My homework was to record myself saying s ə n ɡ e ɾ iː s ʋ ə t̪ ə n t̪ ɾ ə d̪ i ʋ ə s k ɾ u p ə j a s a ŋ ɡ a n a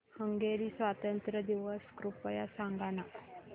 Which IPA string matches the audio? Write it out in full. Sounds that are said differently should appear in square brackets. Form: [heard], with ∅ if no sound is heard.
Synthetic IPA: [h] ə [ŋ] ɡ e ɾ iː s ʋ [a] t̪ ə n t̪ ɾ ə d̪ i ʋ ə s k ɾ u p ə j a s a ŋ ɡ a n a